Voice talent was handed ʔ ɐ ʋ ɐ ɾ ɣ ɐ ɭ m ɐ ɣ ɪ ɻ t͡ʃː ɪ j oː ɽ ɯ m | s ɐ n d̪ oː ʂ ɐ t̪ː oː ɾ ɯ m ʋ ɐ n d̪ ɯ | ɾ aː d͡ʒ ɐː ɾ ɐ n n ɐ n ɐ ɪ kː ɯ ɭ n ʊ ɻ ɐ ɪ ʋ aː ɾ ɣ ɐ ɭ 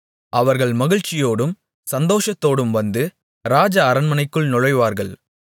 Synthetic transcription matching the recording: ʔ ɐ ʋ ɐ ɾ ɣ ɐ ɭ m ɐ ɣ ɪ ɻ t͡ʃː ɪ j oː ɽ ɯ m | s ɐ n d̪ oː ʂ ɐ t̪ː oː ɽ ɯ m ʋ ɐ n d̪ ɯ | ɾ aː d͡ʒ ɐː ɾ ɐ n m ɐ n ɐ ɪ kː ɯ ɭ n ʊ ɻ ɐ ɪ ʋ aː ɾ ɣ ɐ ɭ

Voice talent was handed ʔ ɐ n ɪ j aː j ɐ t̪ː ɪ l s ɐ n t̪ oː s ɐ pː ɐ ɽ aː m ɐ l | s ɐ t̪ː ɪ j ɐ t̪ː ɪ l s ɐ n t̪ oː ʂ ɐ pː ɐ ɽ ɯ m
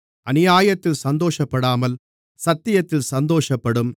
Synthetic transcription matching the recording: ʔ ɐ n ɪ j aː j ɐ t̪ː ɪ l s ɐ n d̪ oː ʂ ɐ pː ɐ ɽ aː m ɐ l | s ɐ t̪ː ɪ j ɐ t̪ː ɪ l s ɐ n d̪ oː ʂ ɐ pː ɐ ɽ ɯ m

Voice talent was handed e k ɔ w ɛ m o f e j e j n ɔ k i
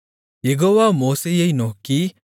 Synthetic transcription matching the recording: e ɡ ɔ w a m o s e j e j n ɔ k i

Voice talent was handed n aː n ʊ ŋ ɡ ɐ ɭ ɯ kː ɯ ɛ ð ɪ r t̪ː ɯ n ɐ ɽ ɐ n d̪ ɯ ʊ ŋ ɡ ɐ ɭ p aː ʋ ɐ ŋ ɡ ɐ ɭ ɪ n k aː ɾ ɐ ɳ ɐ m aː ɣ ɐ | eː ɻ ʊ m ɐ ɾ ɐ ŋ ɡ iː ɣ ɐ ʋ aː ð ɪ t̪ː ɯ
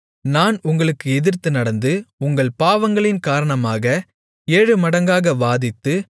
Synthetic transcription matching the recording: n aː n ʊ ŋ ɡ ɐ ɭ ɯ kː ɯ ɛ ð ɪ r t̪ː ɯ n ɐ ɽ ɐ n d̪ ɯ ʊ ŋ ɡ ɐ ɭ p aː ʋ ɐ ŋ ɡ ɐ ɭ ɪ n k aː ɾ ɐ ɳ ɐ m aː ɣ ɐ | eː ɻ ɯ m ɐ ɽ ɐ ŋ ɡ aː ɣ ɐ ʋ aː ð ɪ t̪ː ɯ

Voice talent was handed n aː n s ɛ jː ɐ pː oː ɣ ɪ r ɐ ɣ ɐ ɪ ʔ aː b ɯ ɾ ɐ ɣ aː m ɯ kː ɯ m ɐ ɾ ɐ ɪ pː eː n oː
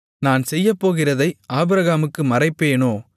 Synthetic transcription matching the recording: n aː n s ɛ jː ɐ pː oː ɣ ɪ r ɐ ð ɐ ɪ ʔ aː b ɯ ɾ ɐ ɣ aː m ɯ kː ɯ m ɐ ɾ ɐ ɪ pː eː n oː

